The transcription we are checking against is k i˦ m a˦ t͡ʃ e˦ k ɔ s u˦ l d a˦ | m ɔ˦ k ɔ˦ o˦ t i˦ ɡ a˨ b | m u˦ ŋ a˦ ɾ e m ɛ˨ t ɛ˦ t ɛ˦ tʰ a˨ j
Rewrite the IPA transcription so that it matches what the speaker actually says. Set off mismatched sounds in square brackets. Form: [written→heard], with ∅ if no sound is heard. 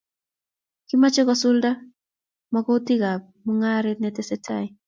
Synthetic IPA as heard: k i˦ m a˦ t͡ʃ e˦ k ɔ s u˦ l d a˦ | m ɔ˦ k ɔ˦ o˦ t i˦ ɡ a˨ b | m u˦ ŋ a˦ ɾ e [m→n] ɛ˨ t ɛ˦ [t→s] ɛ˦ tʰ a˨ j